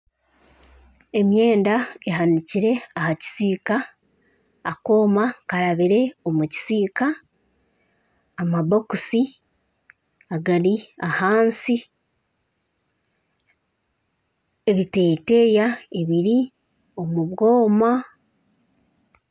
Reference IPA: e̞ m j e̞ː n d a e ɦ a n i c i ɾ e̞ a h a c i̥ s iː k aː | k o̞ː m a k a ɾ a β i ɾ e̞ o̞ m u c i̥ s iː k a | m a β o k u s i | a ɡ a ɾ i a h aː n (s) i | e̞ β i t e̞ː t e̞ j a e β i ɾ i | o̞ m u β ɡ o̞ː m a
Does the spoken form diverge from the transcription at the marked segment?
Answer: no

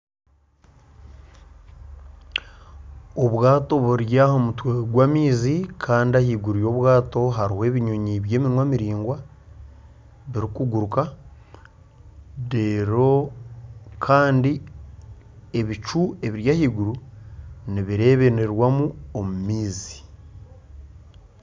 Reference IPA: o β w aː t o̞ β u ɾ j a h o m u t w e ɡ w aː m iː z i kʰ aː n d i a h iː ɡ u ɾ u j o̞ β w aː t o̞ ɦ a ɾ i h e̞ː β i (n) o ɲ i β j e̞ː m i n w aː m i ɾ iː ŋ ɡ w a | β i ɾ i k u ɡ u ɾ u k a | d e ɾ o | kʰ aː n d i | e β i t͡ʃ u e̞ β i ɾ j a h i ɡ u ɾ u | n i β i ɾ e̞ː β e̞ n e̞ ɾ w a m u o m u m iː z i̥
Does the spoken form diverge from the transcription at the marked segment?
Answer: yes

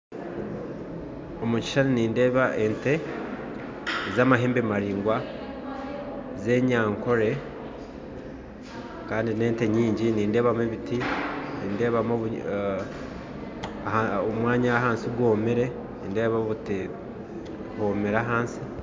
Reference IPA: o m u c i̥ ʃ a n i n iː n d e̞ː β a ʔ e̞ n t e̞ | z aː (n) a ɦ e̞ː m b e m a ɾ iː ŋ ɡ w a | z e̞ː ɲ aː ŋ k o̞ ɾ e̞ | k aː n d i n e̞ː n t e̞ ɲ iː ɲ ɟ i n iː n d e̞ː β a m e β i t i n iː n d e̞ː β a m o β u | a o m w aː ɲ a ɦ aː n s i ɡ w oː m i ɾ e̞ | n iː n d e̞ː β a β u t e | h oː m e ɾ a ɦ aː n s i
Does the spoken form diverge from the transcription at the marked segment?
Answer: yes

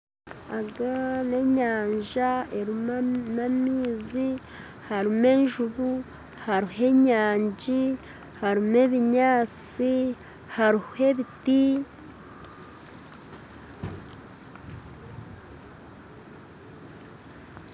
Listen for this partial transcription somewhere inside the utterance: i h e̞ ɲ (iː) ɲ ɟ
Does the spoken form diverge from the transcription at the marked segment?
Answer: yes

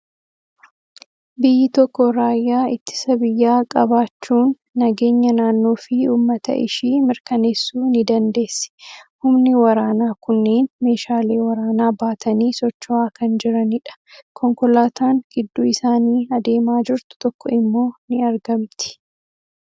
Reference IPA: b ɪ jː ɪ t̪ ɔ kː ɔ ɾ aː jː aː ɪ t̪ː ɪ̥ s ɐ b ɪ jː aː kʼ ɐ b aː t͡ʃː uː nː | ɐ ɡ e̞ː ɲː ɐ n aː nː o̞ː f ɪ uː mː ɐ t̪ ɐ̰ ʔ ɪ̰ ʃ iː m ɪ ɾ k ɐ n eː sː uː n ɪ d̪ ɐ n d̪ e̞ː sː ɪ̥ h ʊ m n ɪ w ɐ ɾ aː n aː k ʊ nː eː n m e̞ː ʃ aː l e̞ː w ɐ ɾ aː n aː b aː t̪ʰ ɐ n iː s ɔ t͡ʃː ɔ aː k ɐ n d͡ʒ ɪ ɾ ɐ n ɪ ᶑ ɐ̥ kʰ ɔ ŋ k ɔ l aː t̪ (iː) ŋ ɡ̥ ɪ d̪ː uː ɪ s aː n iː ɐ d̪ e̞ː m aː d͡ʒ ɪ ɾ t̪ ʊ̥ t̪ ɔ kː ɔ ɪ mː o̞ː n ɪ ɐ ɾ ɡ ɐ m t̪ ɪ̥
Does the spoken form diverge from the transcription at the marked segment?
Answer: yes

